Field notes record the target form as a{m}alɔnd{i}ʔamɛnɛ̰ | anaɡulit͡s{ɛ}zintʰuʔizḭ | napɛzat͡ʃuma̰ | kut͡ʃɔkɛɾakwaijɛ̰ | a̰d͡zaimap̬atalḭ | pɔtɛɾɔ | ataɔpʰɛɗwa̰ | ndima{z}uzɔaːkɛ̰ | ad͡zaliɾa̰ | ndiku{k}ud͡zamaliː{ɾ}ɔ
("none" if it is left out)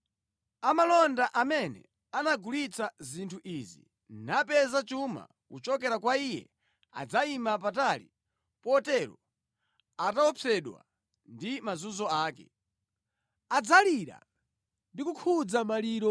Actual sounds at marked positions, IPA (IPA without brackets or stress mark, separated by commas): m, a, a, z, kʰ, ɾ